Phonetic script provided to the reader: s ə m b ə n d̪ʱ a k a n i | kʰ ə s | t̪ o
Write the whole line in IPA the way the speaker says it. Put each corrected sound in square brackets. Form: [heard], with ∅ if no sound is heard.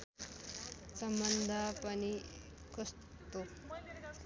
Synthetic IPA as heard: s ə m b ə n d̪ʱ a [p] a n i | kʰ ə s | t̪ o